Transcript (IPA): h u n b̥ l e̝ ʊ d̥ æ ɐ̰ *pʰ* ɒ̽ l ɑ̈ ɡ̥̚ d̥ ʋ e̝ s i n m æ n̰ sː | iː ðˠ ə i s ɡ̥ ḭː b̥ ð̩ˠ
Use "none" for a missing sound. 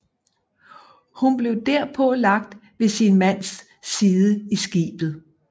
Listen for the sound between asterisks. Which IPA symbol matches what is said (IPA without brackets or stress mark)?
pʰ